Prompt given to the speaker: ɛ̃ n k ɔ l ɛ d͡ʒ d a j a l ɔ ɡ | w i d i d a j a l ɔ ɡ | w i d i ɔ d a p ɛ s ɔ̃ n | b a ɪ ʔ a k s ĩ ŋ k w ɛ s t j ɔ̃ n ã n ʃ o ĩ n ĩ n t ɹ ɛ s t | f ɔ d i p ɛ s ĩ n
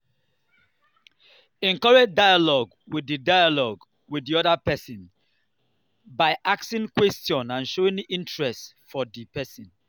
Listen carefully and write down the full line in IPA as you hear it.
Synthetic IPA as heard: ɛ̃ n k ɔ ɹ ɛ d͡ʒ d a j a l ɔ ɡ | w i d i d a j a l ɔ ɡ | w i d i ɔ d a p ɛ s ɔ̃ n | b a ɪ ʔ a k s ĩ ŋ k w ɛ s t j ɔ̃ n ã n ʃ o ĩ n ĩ n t ɹ ɛ s t | f ɔ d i p ɛ s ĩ n